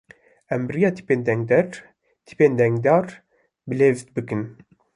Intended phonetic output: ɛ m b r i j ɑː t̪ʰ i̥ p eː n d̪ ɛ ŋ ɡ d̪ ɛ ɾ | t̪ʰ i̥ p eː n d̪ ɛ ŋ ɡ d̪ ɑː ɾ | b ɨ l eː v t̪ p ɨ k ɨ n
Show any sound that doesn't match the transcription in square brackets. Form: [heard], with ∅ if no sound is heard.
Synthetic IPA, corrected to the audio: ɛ m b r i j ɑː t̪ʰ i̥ p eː n d̪ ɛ ŋ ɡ d̪ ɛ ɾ | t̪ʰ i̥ p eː n d̪ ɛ ŋ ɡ d̪ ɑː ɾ | b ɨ l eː v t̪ [b] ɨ k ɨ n